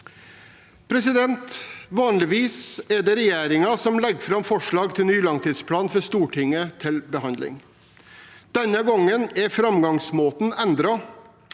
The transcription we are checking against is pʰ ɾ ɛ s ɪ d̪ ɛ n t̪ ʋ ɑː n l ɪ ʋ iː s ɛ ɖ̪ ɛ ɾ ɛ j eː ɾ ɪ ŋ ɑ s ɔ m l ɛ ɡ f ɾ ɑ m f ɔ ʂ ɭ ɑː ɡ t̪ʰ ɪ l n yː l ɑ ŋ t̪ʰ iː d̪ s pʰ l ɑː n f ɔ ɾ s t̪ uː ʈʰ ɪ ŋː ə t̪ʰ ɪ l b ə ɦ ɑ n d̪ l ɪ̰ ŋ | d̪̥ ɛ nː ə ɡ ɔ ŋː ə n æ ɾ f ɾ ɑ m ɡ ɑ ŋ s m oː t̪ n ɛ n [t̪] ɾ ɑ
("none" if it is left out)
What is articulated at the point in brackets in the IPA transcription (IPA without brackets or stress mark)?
d̪